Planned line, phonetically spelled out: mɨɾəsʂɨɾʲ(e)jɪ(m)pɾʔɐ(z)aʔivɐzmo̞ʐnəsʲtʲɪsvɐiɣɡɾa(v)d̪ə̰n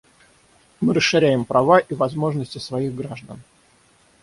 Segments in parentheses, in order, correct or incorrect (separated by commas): incorrect, correct, incorrect, incorrect